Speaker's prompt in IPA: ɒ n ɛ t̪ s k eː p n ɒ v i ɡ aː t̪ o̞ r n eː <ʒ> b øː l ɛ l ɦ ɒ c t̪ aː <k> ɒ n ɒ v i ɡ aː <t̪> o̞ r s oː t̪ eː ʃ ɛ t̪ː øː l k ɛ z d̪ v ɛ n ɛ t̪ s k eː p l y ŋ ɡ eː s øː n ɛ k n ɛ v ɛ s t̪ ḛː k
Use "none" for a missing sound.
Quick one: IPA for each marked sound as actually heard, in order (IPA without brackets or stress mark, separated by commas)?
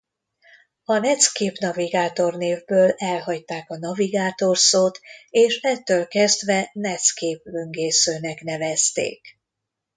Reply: v, k, t̪